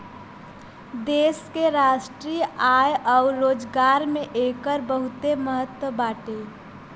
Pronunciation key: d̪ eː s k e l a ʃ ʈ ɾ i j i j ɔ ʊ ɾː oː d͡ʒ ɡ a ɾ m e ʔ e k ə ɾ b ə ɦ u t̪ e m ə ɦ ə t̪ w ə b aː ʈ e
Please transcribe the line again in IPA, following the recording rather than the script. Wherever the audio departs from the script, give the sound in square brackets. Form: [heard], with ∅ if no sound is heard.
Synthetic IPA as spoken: d̪ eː s k e [ɾ] a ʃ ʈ ɾ i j [a] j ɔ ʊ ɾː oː d͡ʒ ɡ a ɾ m e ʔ e k ə ɾ b ə ɦ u t̪ e m ə ɦ ə t̪ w ə b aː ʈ e